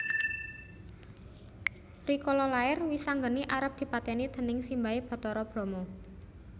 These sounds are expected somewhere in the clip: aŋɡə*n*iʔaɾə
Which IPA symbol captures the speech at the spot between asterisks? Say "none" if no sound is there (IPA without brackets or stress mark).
n